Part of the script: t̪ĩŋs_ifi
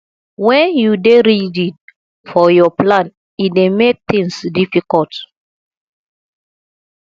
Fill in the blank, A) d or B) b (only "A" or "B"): A